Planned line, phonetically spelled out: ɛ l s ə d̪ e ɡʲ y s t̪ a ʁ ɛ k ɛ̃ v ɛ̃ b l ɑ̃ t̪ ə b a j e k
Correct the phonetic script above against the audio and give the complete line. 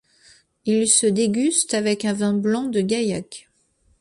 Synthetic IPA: i l s ə d̪ e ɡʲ y s t̪ a v ɛ k ɛ̃ v ɛ̃ b l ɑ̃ d̪ ə ɡ a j a k